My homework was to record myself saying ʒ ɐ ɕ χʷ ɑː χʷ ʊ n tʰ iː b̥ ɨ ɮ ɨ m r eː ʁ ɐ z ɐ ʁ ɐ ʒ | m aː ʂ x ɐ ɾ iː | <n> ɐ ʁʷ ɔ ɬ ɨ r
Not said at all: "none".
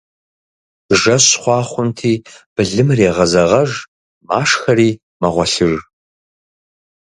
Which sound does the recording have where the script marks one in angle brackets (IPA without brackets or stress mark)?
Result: m